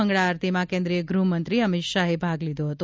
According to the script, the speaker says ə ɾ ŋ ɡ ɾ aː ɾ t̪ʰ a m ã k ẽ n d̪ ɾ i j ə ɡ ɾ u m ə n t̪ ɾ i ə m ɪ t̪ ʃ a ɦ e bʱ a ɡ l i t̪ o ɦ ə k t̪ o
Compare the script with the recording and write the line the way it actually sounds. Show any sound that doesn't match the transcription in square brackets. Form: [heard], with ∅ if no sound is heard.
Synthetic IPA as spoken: ə [∅] ŋ ɡ [ɭ] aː ɾ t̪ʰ [i] m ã k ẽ n d̪ ɾ i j ə ɡ ɾ u m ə n t̪ ɾ i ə m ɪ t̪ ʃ a ɦ e bʱ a ɡ l i [d̪] o ɦ ə [∅] t̪ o